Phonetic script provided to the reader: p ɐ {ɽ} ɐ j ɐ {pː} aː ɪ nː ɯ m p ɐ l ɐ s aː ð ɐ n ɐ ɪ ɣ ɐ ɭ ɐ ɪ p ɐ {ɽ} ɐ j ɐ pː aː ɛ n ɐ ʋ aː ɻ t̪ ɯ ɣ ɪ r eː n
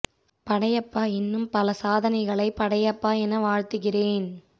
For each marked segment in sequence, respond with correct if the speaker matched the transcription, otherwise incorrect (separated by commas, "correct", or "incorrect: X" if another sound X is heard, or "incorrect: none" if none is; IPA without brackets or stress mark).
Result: correct, correct, correct